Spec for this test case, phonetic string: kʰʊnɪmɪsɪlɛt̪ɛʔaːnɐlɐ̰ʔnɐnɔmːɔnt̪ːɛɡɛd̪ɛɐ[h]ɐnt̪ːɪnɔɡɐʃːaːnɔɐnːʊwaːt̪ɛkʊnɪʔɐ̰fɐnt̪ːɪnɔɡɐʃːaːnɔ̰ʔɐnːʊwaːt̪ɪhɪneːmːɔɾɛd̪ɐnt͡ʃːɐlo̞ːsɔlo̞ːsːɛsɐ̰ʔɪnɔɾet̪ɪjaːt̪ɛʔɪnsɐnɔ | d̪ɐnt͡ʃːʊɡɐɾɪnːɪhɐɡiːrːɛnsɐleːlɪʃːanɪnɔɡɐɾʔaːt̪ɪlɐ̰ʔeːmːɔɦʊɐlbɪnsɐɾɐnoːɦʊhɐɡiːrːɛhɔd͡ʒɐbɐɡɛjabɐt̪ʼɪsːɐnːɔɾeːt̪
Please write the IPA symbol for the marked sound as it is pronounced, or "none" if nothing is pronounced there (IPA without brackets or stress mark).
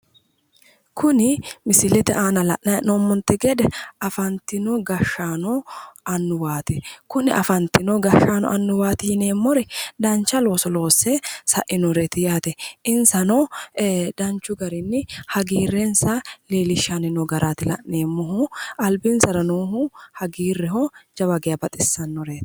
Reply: f